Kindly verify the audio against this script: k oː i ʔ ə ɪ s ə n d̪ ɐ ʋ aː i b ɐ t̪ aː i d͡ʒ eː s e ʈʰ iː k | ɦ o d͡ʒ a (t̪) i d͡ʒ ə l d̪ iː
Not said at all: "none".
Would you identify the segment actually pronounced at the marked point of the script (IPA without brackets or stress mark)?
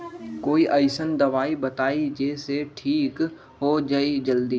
none